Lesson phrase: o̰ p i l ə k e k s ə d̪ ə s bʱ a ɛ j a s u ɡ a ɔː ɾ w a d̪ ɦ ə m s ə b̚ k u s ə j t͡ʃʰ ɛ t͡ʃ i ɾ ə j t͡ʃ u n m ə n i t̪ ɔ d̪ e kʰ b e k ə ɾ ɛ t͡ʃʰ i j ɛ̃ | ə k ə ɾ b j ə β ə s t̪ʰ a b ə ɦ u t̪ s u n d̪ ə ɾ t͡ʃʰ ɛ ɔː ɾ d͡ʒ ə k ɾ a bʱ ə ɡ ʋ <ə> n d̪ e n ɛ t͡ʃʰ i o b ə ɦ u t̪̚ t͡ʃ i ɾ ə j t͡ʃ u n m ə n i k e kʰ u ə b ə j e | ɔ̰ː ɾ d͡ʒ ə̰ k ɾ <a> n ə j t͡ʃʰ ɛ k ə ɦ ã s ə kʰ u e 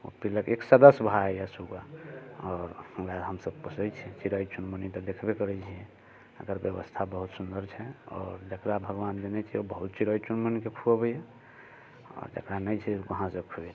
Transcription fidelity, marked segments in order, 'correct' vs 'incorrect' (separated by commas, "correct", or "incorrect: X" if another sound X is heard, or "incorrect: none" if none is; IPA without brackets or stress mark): incorrect: a, correct